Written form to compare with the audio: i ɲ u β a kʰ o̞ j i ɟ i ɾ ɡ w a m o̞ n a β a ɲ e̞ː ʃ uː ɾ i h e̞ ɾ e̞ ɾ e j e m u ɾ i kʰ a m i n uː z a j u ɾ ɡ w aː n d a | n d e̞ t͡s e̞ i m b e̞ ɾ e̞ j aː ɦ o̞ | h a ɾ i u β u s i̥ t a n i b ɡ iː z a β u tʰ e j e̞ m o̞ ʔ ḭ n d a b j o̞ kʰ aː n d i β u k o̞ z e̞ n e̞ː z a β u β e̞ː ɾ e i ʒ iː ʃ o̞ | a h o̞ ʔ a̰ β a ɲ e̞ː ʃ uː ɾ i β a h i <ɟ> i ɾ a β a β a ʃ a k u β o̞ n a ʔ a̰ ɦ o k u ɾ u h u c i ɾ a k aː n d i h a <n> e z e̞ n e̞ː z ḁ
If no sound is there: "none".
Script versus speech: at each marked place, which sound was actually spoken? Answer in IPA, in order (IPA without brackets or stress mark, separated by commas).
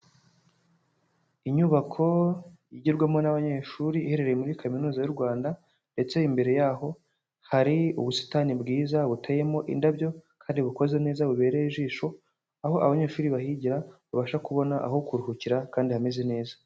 ɟ, m